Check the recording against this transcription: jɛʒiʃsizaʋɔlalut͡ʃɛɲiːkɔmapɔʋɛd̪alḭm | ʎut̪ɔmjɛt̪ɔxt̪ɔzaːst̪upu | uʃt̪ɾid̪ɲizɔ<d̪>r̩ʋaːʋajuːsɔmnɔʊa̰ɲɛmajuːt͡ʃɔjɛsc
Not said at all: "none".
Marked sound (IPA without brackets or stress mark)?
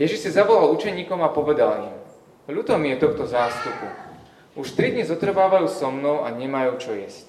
t̪